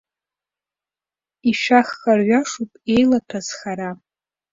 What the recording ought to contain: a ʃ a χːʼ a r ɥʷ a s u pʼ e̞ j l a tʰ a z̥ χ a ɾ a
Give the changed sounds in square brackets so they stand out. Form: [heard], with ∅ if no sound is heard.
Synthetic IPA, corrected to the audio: [i] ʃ a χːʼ a r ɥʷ a [ʂ] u pʼ e̞ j l a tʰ a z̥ χ a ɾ a